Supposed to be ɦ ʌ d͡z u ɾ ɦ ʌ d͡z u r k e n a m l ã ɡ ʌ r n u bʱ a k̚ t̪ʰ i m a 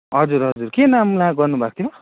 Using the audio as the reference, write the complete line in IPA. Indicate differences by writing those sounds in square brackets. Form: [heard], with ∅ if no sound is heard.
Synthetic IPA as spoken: ɦ ʌ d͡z u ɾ ɦ ʌ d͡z u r k e n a m l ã ɡ ʌ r n u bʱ a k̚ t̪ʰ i m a

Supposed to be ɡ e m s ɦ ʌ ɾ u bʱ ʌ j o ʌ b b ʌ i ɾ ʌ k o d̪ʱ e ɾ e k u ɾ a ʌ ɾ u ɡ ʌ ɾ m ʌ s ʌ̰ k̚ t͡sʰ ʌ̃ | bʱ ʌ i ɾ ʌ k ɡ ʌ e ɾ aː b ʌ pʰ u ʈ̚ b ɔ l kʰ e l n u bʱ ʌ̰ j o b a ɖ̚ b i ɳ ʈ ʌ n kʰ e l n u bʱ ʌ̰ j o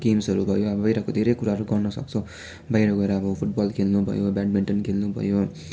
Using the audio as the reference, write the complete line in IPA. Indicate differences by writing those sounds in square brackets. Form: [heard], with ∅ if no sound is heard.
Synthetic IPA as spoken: ɡ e m s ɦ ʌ ɾ u bʱ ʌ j o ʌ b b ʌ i ɾ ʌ k o d̪ʱ e ɾ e k u ɾ a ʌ ɾ u ɡ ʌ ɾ [n] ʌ s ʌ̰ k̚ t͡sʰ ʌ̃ | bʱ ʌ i ɾ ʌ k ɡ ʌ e ɾ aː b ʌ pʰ u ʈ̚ b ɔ l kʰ e l n u bʱ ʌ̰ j o b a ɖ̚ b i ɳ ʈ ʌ n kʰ e l n u bʱ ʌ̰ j o

